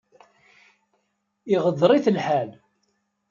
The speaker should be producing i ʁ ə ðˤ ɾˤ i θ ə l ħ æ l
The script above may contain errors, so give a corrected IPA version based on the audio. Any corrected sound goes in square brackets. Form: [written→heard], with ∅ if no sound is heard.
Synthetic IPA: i ʁ ə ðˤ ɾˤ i θ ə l ħ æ l